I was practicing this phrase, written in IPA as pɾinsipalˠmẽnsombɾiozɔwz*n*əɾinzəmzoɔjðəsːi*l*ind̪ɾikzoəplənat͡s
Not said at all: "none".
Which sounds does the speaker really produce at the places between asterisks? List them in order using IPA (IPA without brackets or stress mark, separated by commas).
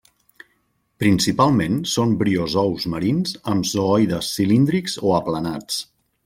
m, l